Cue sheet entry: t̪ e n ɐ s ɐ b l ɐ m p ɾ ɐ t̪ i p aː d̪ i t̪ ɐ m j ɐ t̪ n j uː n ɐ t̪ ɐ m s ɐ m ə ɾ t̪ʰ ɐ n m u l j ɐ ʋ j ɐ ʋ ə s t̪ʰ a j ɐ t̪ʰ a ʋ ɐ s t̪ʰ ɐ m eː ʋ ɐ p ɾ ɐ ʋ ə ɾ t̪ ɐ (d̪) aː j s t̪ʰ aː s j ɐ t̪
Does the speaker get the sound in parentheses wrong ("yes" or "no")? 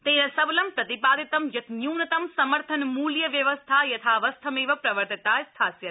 yes